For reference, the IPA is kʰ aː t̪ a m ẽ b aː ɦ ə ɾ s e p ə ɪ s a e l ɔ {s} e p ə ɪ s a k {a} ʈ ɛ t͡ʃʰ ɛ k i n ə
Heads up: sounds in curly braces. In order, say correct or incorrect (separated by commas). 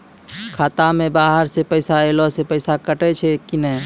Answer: correct, incorrect